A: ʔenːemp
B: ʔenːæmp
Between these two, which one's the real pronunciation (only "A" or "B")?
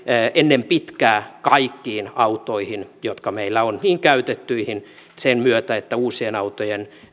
A